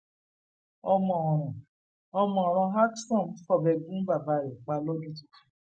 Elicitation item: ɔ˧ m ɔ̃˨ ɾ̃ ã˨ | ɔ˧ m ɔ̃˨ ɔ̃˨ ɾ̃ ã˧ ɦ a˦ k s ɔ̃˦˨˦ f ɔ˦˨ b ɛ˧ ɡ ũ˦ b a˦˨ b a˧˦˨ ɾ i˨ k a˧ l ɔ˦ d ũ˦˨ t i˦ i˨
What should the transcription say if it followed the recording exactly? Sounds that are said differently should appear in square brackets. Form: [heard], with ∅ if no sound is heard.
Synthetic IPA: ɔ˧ m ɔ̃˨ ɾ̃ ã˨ | ɔ˧ m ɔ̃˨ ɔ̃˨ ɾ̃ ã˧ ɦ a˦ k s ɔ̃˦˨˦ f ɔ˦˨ b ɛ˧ ɡ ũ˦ b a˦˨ b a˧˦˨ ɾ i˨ [k͡p] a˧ l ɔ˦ d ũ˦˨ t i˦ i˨

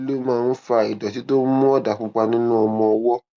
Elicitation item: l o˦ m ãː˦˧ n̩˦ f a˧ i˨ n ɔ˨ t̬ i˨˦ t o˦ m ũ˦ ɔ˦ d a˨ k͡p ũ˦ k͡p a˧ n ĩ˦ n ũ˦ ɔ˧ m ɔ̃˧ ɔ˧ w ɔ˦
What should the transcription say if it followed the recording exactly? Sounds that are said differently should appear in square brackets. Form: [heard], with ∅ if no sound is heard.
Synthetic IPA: l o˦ m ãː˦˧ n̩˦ f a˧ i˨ [d] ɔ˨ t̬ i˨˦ t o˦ m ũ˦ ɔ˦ d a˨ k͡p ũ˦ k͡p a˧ n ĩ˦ n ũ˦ ɔ˧ m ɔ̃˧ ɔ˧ w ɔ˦

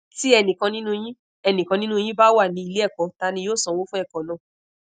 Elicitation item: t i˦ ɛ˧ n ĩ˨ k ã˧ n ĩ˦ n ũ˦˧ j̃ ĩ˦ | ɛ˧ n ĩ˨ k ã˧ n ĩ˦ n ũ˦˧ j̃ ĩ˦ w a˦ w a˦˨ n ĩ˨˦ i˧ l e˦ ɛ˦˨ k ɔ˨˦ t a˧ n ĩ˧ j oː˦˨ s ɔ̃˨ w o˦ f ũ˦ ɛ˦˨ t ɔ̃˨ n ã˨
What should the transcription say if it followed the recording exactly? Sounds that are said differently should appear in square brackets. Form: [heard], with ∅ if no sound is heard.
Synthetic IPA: t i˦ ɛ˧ n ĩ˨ k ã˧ n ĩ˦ n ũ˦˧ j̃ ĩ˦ | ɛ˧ n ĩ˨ k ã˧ n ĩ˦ n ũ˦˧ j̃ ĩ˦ [b] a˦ w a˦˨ n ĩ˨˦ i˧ l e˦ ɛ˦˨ k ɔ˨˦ t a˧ n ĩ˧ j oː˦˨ s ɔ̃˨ w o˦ f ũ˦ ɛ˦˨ [k] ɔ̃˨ n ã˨

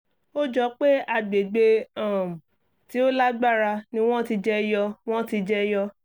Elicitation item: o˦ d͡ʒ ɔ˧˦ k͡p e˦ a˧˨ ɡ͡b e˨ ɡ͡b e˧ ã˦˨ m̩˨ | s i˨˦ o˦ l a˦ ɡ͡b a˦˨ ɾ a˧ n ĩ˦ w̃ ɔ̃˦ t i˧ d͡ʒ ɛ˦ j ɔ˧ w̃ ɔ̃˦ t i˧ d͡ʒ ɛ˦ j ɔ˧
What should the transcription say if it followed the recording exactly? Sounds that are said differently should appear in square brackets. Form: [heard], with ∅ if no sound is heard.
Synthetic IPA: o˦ d͡ʒ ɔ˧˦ k͡p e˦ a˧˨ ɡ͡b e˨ ɡ͡b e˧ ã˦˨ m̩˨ | [t] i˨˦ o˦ l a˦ ɡ͡b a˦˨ ɾ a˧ n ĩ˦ w̃ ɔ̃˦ t i˧ d͡ʒ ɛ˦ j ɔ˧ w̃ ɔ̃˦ t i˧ d͡ʒ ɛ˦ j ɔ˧

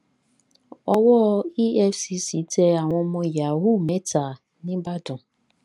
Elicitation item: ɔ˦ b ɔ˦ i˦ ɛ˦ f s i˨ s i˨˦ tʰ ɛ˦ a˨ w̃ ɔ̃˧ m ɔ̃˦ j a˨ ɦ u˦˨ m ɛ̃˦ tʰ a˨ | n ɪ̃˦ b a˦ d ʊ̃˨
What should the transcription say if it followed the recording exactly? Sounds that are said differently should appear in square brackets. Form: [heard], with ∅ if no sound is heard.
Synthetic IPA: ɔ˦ [w] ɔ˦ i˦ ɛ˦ f s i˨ s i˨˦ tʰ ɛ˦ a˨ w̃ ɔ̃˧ m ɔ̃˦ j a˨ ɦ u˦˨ m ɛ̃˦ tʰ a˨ | n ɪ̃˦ b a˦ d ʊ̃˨

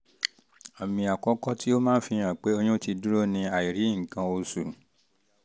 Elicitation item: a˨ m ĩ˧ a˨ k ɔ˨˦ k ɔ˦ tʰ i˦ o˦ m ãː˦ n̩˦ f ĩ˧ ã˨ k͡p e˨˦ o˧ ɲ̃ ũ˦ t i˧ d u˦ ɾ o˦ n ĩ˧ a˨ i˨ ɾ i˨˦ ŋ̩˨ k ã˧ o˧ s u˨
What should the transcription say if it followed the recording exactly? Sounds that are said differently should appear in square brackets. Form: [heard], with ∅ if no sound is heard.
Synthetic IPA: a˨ m ĩ˧ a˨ k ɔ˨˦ k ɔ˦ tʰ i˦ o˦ m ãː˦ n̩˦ f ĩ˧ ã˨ k͡p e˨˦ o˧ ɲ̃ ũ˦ t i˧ d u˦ ɾ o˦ n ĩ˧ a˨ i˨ ɾ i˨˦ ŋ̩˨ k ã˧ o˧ s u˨

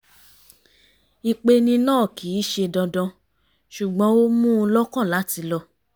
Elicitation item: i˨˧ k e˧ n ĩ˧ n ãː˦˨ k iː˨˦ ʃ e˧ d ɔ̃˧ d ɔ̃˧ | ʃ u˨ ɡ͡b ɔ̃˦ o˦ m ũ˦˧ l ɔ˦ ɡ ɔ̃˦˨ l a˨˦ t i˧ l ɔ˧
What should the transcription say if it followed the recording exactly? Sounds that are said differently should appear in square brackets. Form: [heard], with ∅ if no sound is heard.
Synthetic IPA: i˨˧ [k͡p] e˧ n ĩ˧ n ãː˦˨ k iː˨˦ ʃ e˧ d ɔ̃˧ d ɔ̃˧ | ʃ u˨ ɡ͡b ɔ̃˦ o˦ m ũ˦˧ l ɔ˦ [k] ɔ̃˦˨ l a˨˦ t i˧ l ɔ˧

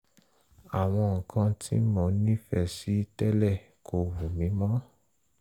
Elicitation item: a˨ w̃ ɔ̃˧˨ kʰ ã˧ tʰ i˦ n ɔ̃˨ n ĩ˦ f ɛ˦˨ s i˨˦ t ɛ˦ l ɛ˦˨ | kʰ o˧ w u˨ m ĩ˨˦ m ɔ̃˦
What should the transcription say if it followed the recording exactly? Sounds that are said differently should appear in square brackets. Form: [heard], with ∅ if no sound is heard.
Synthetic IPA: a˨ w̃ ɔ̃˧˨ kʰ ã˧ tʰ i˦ [m] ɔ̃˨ n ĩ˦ f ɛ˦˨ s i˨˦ t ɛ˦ l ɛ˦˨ | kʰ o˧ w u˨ m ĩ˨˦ m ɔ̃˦

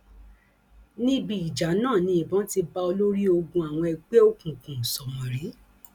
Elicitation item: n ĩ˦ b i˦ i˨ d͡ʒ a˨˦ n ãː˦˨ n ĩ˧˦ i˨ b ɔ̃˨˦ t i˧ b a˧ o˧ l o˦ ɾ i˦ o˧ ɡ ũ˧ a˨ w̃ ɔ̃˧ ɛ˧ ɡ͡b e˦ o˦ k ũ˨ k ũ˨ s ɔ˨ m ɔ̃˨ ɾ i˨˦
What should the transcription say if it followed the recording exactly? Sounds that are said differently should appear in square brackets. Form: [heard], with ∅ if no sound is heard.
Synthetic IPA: n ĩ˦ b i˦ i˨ d͡ʒ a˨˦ n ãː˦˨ n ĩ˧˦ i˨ b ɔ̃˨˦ t i˧ b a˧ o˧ l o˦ ɾ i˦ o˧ ɡ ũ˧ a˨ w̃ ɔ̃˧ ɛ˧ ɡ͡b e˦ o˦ k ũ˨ k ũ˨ s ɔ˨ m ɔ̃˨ ɾ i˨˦

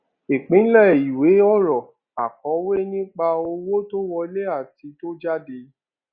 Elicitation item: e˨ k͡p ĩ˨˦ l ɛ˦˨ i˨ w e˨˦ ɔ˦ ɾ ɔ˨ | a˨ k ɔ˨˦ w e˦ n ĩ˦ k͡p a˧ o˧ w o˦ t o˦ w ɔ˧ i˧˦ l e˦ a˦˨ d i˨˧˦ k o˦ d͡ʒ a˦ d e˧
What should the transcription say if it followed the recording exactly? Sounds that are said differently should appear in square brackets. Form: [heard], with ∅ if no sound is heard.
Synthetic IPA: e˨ k͡p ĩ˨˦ l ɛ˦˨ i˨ w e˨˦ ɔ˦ ɾ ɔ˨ | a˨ k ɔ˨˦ w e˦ n ĩ˦ k͡p a˧ o˧ w o˦ t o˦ w ɔ˧ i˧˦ l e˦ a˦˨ [t] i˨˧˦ [t] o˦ d͡ʒ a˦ d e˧

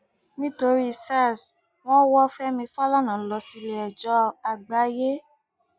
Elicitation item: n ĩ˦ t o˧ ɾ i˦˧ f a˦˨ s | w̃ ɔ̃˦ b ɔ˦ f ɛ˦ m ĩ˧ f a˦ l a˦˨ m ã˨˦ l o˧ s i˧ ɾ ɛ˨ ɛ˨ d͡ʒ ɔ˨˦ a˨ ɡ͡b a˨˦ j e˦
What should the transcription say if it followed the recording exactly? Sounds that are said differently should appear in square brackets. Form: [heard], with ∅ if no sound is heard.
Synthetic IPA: n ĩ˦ t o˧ ɾ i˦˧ [s] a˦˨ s | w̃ ɔ̃˦ [w] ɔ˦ f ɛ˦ m ĩ˧ f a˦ l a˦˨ [n] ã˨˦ l [ɔ˧] s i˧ [l] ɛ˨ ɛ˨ d͡ʒ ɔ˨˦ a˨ ɡ͡b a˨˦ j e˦

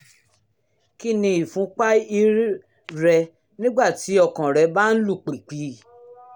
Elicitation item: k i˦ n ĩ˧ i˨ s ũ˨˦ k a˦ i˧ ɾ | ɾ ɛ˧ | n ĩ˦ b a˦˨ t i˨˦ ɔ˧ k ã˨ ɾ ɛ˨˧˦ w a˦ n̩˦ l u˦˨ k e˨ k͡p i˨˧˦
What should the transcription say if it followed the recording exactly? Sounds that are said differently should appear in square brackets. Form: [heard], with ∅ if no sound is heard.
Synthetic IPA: k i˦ n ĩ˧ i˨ [f] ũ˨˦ [k͡p] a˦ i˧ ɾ | ɾ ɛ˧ | n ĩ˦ [ɡ͡b] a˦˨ t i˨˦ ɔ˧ k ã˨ ɾ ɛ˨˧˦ [b] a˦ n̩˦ l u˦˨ [k͡p] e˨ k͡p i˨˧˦

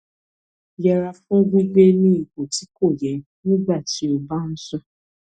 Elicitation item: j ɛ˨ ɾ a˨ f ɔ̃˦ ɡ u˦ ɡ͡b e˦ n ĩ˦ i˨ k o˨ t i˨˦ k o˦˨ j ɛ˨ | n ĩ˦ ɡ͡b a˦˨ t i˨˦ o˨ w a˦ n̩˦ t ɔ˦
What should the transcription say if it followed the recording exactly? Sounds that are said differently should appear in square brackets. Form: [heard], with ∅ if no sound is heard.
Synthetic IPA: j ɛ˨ ɾ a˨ f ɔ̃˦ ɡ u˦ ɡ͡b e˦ n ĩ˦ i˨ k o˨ t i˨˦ k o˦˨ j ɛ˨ | n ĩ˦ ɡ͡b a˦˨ t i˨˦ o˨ [b] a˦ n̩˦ [s] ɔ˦

